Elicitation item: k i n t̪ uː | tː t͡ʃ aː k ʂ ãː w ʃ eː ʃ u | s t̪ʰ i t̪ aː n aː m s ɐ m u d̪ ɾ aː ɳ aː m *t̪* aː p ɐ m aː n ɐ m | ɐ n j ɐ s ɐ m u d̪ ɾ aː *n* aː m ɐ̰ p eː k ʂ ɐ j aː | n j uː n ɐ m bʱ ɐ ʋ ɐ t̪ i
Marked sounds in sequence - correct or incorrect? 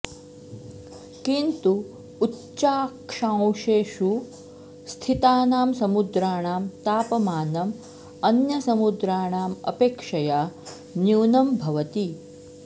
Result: correct, incorrect

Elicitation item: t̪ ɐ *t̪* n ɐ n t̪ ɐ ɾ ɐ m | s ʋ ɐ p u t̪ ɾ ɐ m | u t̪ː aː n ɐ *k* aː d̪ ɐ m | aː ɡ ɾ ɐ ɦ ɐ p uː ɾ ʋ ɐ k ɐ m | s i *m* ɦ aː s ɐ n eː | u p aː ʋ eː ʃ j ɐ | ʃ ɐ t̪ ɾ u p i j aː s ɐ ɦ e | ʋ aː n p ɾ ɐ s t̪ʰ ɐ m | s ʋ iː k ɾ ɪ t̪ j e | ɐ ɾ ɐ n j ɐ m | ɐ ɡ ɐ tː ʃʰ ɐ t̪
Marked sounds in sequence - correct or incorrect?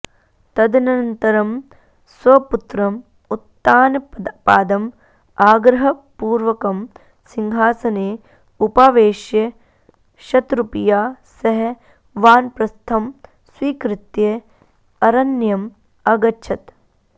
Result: incorrect, incorrect, incorrect

